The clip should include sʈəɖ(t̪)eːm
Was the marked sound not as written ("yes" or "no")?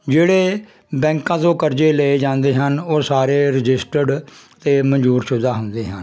no